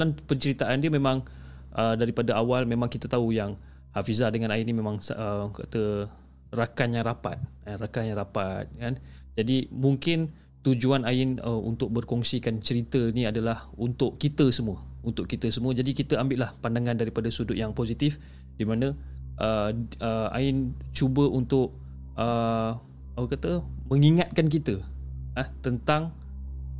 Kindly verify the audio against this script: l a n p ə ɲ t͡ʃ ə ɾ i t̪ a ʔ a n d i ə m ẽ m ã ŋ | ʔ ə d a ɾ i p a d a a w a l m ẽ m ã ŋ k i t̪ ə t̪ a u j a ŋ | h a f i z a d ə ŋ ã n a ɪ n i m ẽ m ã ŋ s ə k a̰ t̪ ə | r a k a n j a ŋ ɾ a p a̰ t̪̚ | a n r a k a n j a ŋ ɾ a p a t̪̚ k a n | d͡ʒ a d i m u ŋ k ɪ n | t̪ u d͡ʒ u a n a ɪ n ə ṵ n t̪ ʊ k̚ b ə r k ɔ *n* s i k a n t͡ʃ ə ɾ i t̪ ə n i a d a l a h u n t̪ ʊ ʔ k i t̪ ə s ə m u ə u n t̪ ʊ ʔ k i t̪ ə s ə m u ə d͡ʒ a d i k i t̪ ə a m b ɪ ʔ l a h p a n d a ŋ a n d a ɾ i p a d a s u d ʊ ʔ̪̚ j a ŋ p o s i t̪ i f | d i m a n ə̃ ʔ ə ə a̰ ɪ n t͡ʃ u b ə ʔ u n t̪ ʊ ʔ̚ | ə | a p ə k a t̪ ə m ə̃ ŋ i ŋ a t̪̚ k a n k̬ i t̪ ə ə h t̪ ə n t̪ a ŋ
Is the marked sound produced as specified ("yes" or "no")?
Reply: no